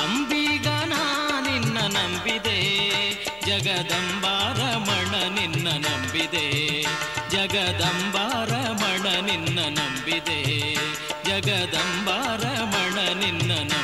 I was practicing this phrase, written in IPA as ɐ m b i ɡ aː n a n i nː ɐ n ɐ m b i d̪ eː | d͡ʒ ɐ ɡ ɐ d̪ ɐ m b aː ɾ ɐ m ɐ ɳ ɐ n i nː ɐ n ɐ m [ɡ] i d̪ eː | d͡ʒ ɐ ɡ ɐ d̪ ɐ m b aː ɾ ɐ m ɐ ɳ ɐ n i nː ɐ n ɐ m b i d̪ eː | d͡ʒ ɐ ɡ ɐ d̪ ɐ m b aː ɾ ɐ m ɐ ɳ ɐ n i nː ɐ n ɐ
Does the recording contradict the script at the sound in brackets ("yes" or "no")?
yes